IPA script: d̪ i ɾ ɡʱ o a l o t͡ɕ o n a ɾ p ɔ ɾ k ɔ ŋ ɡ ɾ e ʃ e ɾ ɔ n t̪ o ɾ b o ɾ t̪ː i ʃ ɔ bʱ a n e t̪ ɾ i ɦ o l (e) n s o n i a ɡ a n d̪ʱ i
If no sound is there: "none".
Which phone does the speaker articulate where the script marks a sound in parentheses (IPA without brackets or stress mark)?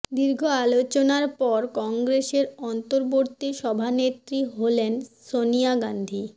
e